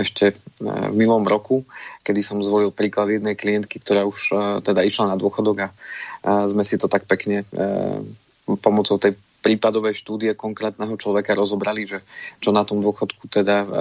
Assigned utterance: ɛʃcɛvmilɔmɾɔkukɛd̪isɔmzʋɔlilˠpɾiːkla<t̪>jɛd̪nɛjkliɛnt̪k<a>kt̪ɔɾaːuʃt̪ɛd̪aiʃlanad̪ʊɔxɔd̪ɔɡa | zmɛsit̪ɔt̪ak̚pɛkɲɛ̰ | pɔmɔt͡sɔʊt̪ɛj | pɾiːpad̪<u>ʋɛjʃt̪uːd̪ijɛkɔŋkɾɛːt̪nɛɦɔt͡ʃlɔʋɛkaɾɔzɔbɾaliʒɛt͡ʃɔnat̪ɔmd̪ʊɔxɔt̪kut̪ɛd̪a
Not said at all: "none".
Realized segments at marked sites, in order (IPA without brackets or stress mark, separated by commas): d̪, i, ɔ